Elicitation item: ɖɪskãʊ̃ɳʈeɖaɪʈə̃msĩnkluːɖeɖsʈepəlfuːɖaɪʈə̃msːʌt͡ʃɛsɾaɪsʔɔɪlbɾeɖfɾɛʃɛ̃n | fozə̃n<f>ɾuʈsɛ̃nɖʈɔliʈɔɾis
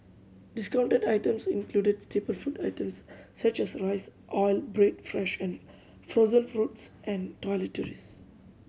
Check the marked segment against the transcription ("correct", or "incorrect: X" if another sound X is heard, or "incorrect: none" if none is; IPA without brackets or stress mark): correct